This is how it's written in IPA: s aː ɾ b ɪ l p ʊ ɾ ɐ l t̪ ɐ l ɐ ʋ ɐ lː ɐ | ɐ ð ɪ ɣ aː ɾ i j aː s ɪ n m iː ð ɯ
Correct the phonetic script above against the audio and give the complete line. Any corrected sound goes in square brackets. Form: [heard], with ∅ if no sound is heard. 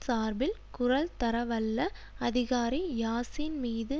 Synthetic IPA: s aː ɾ b ɪ l [k] ʊ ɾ ɐ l t̪ ɐ [ɾ] ɐ ʋ ɐ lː ɐ | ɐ ð ɪ ɣ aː ɾ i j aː s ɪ n m iː ð ɯ